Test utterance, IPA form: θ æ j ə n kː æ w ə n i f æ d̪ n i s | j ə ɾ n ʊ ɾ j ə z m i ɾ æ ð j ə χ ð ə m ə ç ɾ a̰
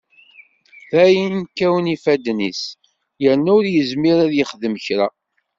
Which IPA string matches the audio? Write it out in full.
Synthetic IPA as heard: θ æ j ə n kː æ w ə n i f æ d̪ n i s | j ə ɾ n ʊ ɾ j ə z m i ɾ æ ð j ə χ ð ə m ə ç ɾ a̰